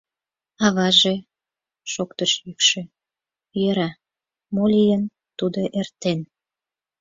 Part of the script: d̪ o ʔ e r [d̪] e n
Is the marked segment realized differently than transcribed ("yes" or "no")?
yes